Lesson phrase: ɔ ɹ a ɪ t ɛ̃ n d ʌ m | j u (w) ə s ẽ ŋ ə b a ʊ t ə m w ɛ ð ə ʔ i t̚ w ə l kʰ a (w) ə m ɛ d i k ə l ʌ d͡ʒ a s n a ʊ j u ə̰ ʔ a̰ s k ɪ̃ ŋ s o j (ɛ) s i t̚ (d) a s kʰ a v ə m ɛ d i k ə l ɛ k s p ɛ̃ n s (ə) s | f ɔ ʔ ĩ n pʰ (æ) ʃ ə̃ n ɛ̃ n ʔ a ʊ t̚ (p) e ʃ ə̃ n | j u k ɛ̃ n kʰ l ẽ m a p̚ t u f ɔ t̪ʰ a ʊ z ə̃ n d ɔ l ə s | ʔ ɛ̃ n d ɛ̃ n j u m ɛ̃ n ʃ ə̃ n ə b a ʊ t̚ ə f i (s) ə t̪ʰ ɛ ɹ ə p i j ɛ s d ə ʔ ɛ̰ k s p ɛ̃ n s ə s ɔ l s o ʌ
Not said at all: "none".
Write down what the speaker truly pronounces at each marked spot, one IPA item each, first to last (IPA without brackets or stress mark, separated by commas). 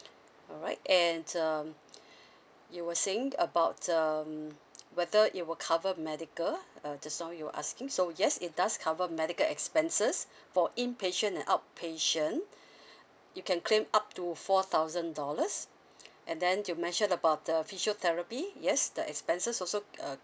w, v, ɛ, d, ə, e, pʰ, ʃ